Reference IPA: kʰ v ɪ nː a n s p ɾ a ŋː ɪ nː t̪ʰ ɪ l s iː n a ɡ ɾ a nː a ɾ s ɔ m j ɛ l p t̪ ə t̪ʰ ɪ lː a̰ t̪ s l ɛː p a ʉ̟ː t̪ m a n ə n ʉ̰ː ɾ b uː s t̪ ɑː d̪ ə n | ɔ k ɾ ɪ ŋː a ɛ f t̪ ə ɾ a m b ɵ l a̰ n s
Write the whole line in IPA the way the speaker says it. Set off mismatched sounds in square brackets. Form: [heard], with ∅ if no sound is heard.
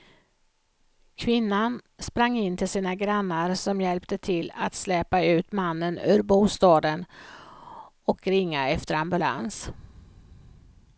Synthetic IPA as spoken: kʰ v ɪ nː a n s p ɾ a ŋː ɪ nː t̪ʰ ɪ l s iː n a ɡ ɾ a nː a ɾ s ɔ m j ɛ l p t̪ ə t̪ʰ ɪ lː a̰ t̪ s l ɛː p a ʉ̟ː t̪ m a [nː] ə n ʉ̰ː ɾ b uː s t̪ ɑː d̪ ə n | ɔ k ɾ ɪ ŋː a ɛ f t̪ ə ɾ a m b ɵ l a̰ n s